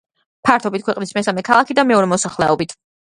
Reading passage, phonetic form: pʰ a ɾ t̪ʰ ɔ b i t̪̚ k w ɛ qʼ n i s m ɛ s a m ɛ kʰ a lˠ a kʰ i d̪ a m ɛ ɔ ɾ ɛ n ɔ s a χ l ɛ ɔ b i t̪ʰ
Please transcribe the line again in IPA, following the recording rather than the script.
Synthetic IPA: pʰ a ɾ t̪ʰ ɔ b i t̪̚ k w ɛ qʼ n i s m ɛ s a m ɛ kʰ a lˠ a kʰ i d̪ a m ɛ ɔ ɾ ɛ m ɔ s a χ l ɛ ɔ b i t̪ʰ